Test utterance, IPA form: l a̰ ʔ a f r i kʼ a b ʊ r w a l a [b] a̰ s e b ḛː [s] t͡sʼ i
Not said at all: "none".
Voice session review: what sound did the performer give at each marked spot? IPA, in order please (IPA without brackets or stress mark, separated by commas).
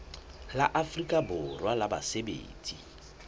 b, none